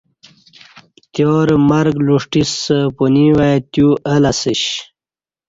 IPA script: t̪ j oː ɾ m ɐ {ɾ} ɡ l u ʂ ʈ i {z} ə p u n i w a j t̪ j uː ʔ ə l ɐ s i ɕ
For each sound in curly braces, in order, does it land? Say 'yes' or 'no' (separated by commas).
yes, no